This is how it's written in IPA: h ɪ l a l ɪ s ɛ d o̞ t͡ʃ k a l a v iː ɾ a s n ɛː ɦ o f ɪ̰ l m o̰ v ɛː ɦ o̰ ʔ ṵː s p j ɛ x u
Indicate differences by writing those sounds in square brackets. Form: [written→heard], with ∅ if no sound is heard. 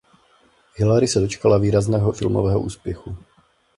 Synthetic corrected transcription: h ɪ l a [l→ɾ] ɪ s ɛ d o̞ t͡ʃ k a l a v iː ɾ a [s→z] n ɛː ɦ o f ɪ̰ l m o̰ v ɛː ɦ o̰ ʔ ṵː s p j ɛ x u